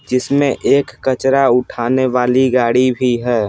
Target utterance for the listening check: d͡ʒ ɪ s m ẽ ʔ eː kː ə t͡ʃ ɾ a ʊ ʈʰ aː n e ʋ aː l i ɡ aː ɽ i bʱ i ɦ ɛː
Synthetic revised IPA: d͡ʒ ɪ s m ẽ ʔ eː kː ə t͡ʃ ɾ a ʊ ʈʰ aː n e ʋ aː l i ɡ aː ɽ i bʱ i ɦ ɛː